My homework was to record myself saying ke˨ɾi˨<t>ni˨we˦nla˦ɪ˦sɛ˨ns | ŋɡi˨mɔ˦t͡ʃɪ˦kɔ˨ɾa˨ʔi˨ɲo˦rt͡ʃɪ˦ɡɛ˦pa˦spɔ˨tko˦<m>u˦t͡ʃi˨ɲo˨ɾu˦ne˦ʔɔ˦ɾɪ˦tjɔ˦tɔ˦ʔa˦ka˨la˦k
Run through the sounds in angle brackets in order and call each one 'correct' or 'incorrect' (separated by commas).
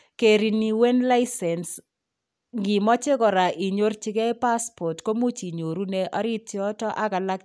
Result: incorrect, correct